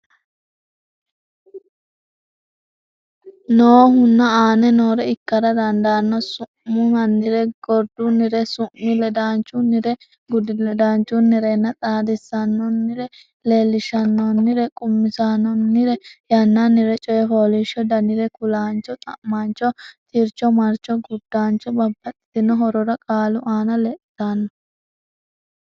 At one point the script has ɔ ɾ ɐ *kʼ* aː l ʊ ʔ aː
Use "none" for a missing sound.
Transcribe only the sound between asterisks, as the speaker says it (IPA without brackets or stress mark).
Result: kʼ